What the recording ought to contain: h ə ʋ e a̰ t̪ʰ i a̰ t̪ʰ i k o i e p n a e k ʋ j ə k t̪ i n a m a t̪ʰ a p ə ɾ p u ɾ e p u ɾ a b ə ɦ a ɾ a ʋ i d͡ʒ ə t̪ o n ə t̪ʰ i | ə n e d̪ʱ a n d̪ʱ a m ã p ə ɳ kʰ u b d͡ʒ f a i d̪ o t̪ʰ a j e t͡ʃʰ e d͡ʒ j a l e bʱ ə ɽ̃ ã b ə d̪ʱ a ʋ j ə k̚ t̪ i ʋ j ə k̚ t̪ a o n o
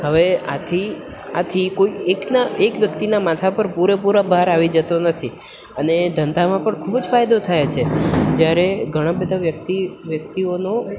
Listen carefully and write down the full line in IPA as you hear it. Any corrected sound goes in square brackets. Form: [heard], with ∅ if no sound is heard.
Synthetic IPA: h ə ʋ e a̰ t̪ʰ i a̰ t̪ʰ i k o i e [k] n a e k ʋ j ə k t̪ i n a m a t̪ʰ a p ə ɾ p u ɾ e p u ɾ a b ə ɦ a ɾ a ʋ i d͡ʒ ə t̪ o n ə t̪ʰ i | ə n e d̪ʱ [ə] n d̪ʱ a m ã p ə ɳ kʰ u b d͡ʒ f a [j] d̪ o t̪ʰ a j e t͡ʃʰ e d͡ʒ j a [ɾ] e [ɡʱ] ə ɽ̃ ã b ə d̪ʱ a ʋ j ə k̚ t̪ i ʋ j ə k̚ t̪ [i] o n o

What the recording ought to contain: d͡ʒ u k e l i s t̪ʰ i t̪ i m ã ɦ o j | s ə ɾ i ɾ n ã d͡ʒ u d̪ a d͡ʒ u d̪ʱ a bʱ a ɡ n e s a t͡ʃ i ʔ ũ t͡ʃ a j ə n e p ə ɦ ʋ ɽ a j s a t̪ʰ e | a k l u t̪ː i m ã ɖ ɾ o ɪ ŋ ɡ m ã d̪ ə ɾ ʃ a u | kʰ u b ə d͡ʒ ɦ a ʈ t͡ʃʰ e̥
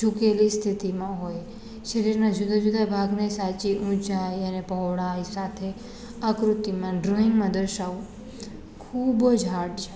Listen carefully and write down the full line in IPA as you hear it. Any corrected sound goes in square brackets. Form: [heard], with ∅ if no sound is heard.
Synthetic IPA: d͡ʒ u k e l i s t̪ʰ i t̪ i m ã ɦ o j | [ʃ] ə ɾ i ɾ n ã d͡ʒ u d̪ a d͡ʒ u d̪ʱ a bʱ a ɡ n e s a t͡ʃ i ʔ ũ t͡ʃ a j ə n e p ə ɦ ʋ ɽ a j s a t̪ʰ e | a k [ɾ] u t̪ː i m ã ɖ ɾ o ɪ ŋ ɡ m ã d̪ ə ɾ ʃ a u | kʰ u b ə d͡ʒ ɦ a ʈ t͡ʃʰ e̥

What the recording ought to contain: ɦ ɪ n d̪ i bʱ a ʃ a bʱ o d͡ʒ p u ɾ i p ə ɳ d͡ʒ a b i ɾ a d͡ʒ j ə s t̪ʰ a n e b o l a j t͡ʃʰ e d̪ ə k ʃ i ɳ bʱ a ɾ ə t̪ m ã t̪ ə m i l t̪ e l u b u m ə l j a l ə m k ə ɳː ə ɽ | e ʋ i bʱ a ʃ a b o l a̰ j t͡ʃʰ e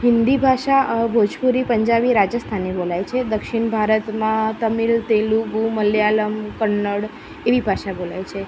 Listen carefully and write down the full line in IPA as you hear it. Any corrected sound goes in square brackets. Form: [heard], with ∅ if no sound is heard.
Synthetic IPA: ɦ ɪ n d̪ i bʱ a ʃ a bʱ o d͡ʒ p u ɾ i p ə [ɲ] d͡ʒ a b i ɾ a d͡ʒ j ə s t̪ʰ a n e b o l a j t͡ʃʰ e d̪ ə k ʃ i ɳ bʱ a ɾ ə t̪ m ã t̪ ə m i l t̪ e l u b u m ə l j a l ə m k ə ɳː ə ɽ | e ʋ i bʱ a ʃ a b o l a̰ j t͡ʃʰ e

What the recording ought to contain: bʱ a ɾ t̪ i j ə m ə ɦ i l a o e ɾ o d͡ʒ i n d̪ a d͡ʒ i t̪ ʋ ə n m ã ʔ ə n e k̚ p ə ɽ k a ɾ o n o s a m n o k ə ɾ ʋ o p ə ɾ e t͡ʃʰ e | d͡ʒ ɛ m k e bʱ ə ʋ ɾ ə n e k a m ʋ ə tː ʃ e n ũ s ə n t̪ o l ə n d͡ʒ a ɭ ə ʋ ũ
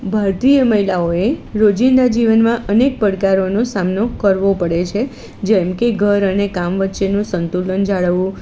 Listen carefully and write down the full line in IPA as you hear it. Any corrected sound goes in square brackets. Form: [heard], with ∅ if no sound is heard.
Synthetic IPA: bʱ a ɾ t̪ i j ə m ə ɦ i l a o e ɾ o d͡ʒ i n d̪ a d͡ʒ i [∅] ʋ ə n m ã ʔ ə n e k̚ p ə ɽ k a ɾ o n o s a m n o k ə ɾ ʋ o p ə [ɽ] e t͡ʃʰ e | d͡ʒ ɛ m k e [ɡʱ] ə [∅] ɾ ə n e k a m ʋ ə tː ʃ e n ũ s ə n t̪ [u] l ə n d͡ʒ a ɭ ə ʋ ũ

